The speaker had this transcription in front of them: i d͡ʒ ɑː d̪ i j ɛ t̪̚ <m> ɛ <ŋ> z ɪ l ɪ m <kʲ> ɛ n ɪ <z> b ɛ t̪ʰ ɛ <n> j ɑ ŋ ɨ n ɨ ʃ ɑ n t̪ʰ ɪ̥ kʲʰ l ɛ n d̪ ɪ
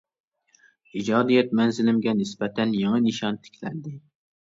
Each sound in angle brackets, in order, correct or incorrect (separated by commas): correct, incorrect, incorrect, incorrect, correct